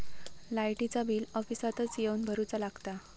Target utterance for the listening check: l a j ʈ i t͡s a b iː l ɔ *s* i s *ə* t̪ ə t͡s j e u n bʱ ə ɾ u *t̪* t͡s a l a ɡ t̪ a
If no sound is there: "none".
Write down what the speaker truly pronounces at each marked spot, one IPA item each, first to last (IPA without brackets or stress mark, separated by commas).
f, a, none